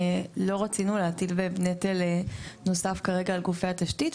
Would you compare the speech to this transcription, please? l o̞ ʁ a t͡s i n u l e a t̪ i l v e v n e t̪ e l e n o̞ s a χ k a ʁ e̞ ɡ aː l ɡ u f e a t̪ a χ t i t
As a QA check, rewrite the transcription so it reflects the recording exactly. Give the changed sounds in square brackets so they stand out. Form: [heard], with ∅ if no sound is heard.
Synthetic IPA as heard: l o̞ ʁ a t͡s i n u l e a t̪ i l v e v n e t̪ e l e n o̞ s a [f] k a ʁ e̞ ɡ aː l ɡ u f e a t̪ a [ʃ] t i t